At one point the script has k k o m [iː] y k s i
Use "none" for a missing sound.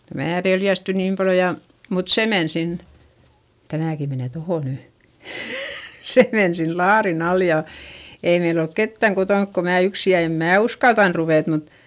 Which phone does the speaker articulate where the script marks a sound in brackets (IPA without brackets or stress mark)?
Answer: æː